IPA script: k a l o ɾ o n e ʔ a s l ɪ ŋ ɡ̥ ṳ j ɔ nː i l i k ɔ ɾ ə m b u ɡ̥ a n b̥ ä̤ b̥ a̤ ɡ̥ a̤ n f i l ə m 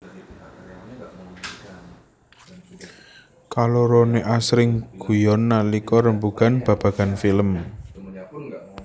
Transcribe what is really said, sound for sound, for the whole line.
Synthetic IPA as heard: k a l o ɾ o n e ʔ a s ɾ ɪ ŋ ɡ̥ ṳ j ɔ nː a l i k ɔ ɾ ə m b u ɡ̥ a n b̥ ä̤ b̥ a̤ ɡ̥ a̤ n f i l ə m